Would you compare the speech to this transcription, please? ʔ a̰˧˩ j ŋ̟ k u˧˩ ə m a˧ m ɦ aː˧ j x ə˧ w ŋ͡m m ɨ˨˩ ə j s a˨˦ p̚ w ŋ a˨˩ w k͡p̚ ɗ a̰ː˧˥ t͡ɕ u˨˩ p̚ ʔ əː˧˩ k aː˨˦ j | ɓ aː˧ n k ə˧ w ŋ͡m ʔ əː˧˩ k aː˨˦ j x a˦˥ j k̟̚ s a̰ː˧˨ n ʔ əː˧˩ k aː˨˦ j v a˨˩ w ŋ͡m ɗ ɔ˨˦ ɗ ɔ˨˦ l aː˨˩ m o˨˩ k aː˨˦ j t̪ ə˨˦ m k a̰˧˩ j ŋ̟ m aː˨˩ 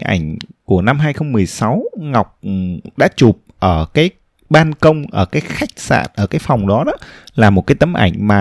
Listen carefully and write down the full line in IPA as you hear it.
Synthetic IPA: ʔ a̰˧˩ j ŋ̟ k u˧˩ ə n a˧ m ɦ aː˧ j x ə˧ w ŋ͡m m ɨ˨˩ ə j s a˨˦ w ŋ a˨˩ w k͡p̚ ɗ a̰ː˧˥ t͡ɕ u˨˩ p̚ ʔ əː˧˩ k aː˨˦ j | ɓ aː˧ n k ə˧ w ŋ͡m ʔ əː˧˩ k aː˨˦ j x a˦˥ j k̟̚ s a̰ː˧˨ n ʔ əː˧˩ k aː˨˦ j f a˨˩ w ŋ͡m ɗ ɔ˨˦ ɗ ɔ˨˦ l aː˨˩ m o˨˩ k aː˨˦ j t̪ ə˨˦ m ʔ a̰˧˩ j ŋ̟ m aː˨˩